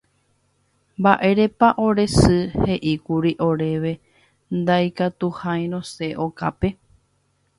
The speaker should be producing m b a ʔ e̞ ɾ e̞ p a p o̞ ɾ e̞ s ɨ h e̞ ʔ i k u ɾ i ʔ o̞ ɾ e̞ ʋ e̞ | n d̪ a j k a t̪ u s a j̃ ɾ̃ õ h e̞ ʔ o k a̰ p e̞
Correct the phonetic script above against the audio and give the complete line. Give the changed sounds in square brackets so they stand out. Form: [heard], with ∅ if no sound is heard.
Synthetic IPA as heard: m b a ʔ e̞ ɾ e̞ p a [ʔ] o̞ ɾ e̞ s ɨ h e̞ ʔ i k u ɾ i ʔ o̞ ɾ e̞ ʋ e̞ | n d̪ a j k a t̪ u [h] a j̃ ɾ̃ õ [s] e̞ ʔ o k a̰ p e̞

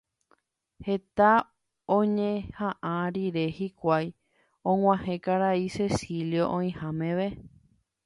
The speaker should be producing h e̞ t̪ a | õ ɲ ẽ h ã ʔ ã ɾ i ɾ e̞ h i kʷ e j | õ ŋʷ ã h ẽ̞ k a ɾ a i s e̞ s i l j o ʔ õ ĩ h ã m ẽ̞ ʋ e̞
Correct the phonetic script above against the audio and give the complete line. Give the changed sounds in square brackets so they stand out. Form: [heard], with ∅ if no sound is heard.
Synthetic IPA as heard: h e̞ t̪ a | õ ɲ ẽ h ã ʔ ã ɾ i ɾ e̞ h i kʷ [a] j | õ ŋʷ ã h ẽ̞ k a ɾ a i s e̞ s i l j o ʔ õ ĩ h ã m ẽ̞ ʋ e̞

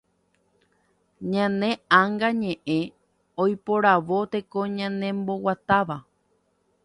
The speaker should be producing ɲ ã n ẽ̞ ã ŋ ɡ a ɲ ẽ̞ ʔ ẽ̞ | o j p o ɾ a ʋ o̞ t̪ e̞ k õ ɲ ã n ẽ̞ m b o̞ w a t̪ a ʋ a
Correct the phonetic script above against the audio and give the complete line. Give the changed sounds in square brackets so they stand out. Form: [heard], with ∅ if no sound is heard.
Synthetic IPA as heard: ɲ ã n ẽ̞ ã ŋ ɡ a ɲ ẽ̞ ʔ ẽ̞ | o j p o ɾ a ʋ o̞ t̪ e̞ k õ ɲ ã n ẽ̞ m b o̞ w a t̪ a ʋ a

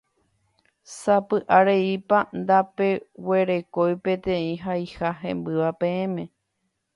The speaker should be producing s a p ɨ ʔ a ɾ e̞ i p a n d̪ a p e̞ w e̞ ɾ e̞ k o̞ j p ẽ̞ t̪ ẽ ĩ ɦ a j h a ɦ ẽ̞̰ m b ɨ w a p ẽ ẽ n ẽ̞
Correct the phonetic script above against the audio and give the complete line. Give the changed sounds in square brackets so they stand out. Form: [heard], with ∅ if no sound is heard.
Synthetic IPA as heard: s a p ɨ ʔ a ɾ e̞ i p a n d̪ a p e̞ w e̞ ɾ e̞ k o̞ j p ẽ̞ t̪ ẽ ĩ ɦ a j h a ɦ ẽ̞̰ m b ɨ [ʋ] a p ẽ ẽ [m] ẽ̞

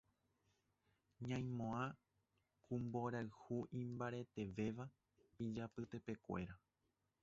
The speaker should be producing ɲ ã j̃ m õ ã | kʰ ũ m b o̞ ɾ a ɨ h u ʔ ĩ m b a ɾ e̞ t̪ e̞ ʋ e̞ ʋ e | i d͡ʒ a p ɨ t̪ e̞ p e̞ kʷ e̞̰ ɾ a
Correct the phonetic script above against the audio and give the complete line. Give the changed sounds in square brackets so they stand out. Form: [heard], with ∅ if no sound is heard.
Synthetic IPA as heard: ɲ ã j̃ m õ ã | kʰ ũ m b o̞ ɾ a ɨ h u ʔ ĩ m b a ɾ e̞ t̪ e̞ ʋ e̞ ʋ [a] | i d͡ʒ a p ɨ t̪ e̞ p e̞ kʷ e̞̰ ɾ a

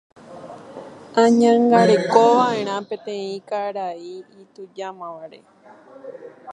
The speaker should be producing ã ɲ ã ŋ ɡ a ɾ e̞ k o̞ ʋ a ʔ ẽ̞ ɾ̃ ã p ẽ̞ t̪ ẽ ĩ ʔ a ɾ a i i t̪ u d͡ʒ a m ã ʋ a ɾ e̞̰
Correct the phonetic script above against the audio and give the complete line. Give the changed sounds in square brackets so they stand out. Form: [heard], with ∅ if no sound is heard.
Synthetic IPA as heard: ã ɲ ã ŋ ɡ a ɾ e̞ k o̞ ʋ a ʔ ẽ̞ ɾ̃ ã p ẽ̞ t̪ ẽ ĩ [k] a ɾ a i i t̪ u d͡ʒ a m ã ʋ a ɾ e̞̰

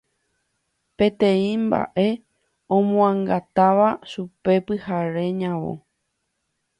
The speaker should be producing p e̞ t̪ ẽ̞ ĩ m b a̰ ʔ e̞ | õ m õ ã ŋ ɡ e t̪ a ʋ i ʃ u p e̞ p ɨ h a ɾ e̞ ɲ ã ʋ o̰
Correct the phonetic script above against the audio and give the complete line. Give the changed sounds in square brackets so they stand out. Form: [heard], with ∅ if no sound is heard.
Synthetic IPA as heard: p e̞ t̪ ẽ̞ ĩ m b a̰ ʔ e̞ | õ m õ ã ŋ ɡ [a] t̪ a ʋ [a] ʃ u p e̞ p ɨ h a ɾ e̞ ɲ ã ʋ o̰

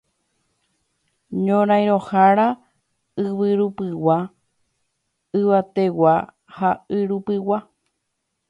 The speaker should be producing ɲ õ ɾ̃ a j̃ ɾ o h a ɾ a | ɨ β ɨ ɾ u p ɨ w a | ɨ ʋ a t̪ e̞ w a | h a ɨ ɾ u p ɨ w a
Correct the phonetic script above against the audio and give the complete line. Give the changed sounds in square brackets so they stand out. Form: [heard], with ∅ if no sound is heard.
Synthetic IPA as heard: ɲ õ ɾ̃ a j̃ ɾ o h a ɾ a | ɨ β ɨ ɾ u p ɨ w a | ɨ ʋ a t̪ e̞ w a | h a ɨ ɾ u p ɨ w a

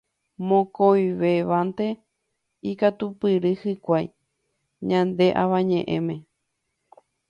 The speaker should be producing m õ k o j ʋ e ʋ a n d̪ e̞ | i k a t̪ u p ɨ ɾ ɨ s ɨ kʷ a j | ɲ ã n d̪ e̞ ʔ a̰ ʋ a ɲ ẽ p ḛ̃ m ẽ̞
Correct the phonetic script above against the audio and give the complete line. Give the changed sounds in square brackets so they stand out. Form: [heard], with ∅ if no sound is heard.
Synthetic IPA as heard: m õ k o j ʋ e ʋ a n [t̪] e̞ | i k a t̪ u p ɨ ɾ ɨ [h] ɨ kʷ a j | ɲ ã n d̪ e̞ ʔ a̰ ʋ a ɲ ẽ [ʔ] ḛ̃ m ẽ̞

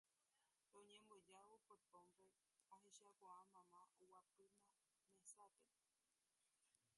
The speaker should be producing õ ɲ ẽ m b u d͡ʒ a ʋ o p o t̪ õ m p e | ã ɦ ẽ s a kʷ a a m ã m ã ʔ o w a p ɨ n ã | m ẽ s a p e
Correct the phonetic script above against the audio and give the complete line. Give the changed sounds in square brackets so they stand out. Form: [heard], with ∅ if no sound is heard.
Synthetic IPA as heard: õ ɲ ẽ m b [o] d͡ʒ a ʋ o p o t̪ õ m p e | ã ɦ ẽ [ʃ] a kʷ a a m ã m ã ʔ o w a p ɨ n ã | m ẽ s a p e

